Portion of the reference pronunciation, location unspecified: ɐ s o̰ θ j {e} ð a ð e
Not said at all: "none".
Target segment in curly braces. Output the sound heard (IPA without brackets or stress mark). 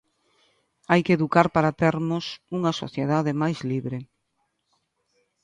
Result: e